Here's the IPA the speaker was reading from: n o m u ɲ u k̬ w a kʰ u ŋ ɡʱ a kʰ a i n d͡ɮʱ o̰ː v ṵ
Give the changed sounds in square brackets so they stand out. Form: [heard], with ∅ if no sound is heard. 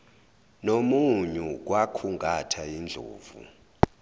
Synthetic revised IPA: n o m u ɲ u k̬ w a kʰ u ŋ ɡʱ a [tʰ] a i n d͡ɮʱ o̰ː v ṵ